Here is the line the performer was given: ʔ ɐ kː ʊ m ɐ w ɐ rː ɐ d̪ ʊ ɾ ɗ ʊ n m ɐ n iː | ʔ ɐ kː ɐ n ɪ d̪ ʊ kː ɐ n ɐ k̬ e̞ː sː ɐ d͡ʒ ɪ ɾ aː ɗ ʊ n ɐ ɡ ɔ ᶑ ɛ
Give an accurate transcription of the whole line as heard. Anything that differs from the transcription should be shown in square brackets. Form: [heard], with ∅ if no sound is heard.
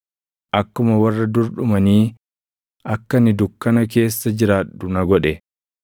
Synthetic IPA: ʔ ɐ kː ʊ m ɐ w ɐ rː ɐ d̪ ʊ ɾ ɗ ʊ [∅] m ɐ n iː | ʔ ɐ kː ɐ n ɪ d̪ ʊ kː ɐ n ɐ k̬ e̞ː sː ɐ d͡ʒ ɪ ɾ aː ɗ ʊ n ɐ ɡ ɔ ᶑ ɛ